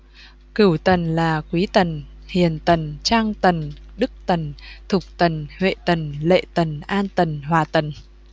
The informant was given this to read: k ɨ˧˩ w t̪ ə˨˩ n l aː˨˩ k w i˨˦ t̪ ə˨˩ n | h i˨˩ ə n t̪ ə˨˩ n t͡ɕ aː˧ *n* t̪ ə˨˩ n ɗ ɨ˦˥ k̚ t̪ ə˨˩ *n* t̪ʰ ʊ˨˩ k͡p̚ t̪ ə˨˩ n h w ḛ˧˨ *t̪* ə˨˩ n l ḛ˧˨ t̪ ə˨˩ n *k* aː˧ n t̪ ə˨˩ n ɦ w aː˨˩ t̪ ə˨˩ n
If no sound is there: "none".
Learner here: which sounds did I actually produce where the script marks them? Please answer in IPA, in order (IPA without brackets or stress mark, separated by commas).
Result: ŋ, n, t̪, ʔ